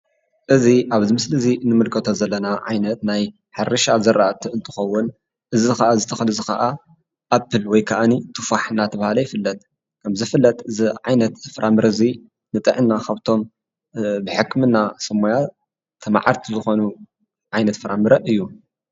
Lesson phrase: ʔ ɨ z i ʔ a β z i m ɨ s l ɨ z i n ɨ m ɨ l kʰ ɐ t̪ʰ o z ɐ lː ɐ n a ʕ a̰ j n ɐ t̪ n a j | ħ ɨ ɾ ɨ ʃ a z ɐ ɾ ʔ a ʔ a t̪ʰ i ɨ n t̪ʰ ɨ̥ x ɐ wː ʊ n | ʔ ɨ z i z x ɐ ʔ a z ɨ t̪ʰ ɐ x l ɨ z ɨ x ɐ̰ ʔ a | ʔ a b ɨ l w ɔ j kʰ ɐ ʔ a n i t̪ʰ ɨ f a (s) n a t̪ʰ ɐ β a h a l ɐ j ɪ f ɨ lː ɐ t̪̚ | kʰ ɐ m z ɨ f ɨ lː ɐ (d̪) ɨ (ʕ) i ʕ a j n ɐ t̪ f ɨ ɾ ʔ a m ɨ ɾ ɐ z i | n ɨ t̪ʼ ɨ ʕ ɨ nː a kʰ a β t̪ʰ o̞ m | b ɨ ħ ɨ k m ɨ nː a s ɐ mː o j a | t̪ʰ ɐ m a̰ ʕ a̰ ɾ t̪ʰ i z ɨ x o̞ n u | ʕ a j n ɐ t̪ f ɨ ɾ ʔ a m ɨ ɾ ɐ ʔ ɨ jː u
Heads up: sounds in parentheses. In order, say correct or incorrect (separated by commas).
incorrect, incorrect, incorrect